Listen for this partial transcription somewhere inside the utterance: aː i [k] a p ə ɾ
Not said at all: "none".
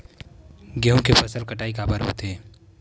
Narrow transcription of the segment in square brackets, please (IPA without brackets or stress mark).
k